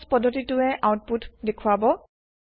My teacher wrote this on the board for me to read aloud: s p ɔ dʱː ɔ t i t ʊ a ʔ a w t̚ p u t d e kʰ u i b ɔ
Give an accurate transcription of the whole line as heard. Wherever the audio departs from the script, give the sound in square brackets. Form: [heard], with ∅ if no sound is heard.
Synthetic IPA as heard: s p ɔ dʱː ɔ t i t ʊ [ɛ] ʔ a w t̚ p u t d e kʰ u [a] b ɔ

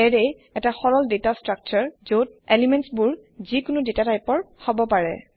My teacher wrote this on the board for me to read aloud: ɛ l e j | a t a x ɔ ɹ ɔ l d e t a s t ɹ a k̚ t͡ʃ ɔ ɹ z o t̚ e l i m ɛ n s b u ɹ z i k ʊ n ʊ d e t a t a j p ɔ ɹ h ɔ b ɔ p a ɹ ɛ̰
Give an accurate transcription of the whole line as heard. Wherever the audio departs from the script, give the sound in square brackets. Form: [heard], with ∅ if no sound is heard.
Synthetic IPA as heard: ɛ [ɹ] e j | [ɛ] t a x ɔ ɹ ɔ l d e t a s t ɹ a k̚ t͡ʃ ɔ ɹ z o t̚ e l i m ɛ n s b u ɹ z i k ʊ n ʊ d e t a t a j p ɔ ɹ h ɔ b ɔ p a ɹ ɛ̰

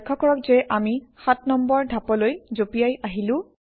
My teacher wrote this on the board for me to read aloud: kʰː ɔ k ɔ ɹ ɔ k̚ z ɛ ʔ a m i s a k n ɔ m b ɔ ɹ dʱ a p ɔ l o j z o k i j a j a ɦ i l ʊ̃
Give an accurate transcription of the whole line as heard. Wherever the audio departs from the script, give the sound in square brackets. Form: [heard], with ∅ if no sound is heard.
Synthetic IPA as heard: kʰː ɔ k ɔ ɹ ɔ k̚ z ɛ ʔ a m i [x] a [t] n ɔ m b ɔ ɹ dʱ a p ɔ l o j z o [p] i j a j a ɦ i l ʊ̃

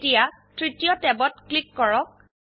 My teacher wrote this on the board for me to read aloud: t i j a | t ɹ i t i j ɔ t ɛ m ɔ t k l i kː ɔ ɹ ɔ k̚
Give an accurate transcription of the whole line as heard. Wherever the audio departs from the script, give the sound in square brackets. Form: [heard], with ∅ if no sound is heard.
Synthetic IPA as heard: t i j a | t ɹ i t i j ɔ t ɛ [b] ɔ t k l i kː ɔ ɹ ɔ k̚

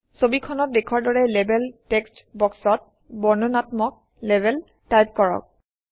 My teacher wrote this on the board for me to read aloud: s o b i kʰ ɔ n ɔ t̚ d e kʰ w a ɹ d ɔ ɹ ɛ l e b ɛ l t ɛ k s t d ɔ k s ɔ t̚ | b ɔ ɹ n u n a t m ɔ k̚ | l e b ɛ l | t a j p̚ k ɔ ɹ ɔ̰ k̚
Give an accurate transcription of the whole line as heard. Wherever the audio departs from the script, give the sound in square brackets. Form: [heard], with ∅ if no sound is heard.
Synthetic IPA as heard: s o b i kʰ ɔ n ɔ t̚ d e kʰ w a ɹ d ɔ ɹ ɛ l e b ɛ l t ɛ k s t [b] ɔ k s ɔ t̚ | b ɔ ɹ n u n a t m ɔ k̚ | l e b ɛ l | t a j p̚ k ɔ ɹ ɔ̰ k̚

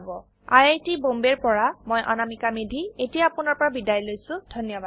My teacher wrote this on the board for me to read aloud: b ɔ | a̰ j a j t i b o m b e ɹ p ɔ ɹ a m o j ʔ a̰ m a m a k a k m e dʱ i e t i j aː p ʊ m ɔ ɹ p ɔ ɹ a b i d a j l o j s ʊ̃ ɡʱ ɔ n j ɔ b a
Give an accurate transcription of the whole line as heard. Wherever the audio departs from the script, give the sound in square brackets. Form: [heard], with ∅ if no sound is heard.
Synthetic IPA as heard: b ɔ | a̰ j a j t i b o m b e ɹ p ɔ ɹ a m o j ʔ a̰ [n] a m [i] k a [∅] m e dʱ i e t i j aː p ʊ [n] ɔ ɹ p ɔ ɹ a b i d a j l o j s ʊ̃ [dʱ] ɔ n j ɔ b a

